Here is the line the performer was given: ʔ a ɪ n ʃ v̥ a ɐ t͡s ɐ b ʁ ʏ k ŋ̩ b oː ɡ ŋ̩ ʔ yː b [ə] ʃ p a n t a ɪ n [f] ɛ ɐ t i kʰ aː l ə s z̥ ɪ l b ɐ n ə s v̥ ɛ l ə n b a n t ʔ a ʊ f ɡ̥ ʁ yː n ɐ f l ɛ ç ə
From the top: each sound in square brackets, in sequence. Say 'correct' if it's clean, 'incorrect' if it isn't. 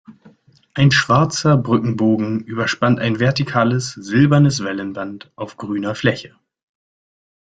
incorrect: ɐ, incorrect: v

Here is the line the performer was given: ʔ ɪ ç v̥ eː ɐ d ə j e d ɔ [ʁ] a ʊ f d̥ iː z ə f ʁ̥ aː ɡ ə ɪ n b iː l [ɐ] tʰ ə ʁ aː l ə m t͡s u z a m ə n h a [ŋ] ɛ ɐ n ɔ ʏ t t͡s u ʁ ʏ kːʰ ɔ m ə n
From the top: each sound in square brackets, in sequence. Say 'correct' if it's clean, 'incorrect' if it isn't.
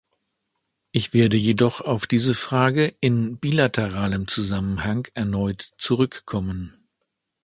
incorrect: χ, incorrect: a, correct

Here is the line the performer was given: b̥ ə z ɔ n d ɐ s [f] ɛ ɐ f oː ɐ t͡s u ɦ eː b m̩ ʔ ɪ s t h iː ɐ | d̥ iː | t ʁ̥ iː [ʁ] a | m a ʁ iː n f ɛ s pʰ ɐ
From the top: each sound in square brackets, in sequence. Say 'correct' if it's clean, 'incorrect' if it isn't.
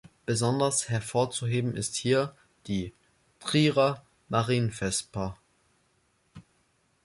incorrect: h, correct

